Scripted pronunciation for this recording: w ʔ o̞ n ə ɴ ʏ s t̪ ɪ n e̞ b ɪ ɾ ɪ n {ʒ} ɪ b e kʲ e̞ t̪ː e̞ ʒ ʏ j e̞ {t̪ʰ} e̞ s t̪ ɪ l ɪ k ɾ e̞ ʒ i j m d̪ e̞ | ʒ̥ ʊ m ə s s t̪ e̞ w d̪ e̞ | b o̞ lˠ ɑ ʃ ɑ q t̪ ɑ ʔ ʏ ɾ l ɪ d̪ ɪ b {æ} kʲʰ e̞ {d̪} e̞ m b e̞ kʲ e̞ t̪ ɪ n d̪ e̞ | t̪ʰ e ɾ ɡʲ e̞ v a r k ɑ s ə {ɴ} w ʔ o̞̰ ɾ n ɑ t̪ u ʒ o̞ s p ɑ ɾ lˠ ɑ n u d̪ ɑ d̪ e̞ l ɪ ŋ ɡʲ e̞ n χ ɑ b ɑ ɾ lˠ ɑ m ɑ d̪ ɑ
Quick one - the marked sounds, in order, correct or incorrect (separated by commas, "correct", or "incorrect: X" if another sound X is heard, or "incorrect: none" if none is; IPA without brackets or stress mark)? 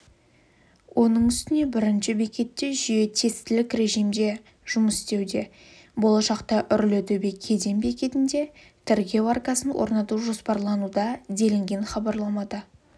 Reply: incorrect: ʃ, correct, incorrect: e, correct, incorrect: n